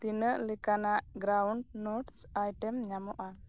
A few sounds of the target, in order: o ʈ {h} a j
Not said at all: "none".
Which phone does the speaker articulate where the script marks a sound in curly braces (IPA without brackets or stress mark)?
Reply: s